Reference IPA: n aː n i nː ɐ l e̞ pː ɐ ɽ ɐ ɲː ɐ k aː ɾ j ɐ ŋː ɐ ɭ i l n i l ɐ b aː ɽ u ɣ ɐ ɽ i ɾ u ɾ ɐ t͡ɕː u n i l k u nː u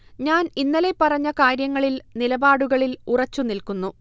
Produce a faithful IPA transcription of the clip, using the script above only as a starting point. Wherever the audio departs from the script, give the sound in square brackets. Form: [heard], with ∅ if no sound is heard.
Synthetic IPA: [ɲ] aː n i nː ɐ l e̞ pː ɐ [r] ɐ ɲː ɐ k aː ɾ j ɐ ŋː ɐ ɭ i l n i l ɐ b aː ɽ u ɣ ɐ [ɭ] i [l] u [r] ɐ t͡ɕː u n i l k u nː u